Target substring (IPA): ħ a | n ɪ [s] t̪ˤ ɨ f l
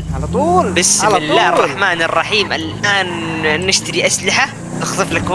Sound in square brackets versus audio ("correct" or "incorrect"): incorrect